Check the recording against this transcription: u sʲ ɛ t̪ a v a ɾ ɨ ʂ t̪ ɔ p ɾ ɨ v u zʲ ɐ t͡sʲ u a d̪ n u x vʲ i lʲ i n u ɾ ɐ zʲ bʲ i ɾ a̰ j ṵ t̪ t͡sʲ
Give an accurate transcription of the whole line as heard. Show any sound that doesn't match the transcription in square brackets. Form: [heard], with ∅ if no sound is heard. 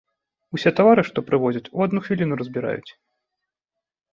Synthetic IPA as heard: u sʲ ɛ t̪ a v a ɾ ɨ ʂ t̪ ɔ p ɾ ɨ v [ɔ] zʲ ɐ t͡sʲ u a d̪ n u x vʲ i lʲ i n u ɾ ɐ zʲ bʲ i ɾ a̰ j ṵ [∅] t͡sʲ